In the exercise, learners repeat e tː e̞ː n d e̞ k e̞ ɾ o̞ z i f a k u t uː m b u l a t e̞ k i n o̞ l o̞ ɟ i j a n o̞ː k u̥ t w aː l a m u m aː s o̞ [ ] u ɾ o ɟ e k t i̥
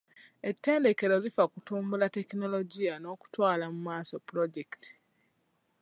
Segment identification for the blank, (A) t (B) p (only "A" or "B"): B